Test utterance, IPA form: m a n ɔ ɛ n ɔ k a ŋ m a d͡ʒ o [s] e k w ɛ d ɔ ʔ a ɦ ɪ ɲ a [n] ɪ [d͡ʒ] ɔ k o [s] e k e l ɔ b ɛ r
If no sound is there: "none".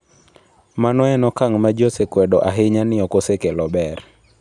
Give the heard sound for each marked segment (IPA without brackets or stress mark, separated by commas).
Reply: s, n, none, s